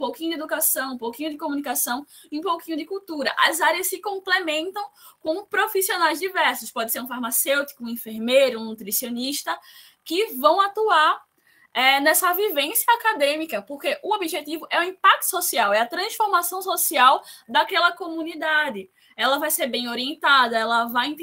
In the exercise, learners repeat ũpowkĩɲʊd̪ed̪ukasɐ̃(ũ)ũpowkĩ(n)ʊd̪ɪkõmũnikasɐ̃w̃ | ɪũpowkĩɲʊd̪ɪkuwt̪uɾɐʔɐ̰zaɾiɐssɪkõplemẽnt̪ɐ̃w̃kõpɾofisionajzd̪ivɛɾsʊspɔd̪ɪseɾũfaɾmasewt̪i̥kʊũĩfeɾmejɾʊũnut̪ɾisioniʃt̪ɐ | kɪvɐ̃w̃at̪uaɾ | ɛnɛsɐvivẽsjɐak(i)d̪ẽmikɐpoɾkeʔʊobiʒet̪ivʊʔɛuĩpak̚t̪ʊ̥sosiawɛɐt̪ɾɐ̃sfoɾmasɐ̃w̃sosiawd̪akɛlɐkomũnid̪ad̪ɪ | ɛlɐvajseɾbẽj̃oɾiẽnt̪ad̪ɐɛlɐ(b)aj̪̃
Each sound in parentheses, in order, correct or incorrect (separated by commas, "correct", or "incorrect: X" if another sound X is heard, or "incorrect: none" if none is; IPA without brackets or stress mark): incorrect: w̃, incorrect: ɲ, incorrect: a, incorrect: v